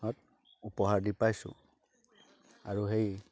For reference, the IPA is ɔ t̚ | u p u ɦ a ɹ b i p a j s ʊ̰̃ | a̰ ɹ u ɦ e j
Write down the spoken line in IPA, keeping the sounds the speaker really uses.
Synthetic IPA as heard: ɔ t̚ | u p ɔ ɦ a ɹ d i p a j s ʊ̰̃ | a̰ ɹ u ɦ e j